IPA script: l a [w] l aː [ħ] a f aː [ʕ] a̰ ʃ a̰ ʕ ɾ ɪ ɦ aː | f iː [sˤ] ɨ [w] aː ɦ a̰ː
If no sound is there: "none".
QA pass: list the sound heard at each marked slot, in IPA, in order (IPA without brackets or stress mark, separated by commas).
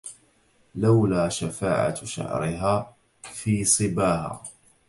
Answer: w, ʃ, ʕ, sˤ, b